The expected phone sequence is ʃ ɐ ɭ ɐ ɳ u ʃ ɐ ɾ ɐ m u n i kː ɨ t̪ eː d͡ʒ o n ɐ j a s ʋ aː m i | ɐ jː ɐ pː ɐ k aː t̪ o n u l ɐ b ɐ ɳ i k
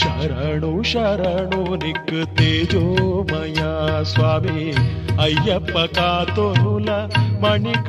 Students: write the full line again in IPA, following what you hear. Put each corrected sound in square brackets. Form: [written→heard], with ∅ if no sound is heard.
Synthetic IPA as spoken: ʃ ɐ [ɭ→ɾ] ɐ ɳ u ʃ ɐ ɾ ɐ [m→ɳ] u n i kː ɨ t̪ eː d͡ʒ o [n→m] ɐ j a s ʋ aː m i | ɐ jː ɐ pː ɐ k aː t̪ o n u l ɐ [b→m] ɐ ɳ i k